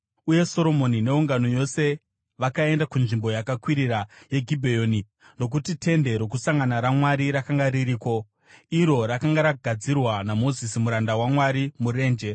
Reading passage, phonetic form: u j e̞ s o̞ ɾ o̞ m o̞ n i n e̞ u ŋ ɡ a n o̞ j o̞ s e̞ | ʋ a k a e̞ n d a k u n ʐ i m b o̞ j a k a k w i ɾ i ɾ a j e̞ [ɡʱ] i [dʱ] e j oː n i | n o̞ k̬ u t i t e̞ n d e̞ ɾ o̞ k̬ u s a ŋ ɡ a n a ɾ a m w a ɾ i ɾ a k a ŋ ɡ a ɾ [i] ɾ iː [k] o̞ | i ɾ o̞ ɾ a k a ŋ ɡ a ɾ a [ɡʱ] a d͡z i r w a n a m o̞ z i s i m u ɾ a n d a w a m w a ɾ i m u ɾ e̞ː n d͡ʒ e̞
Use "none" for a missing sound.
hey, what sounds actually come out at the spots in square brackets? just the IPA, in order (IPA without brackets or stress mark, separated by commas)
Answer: ɡʱ, bʱ, i, k, ɡʱ